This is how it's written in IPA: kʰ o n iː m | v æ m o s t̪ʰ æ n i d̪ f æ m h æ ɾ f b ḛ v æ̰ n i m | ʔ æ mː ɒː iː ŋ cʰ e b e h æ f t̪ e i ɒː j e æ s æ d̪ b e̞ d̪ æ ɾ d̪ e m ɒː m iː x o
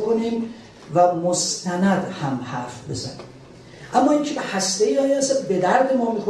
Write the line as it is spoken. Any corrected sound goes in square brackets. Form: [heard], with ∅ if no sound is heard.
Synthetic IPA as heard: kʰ o n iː m | v æ m o s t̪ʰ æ n [æ] d̪ [h] æ m h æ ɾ f b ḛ [z] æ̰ n i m | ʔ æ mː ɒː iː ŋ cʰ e b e h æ [s] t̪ e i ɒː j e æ s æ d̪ b e̞ d̪ æ ɾ d̪ e m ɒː m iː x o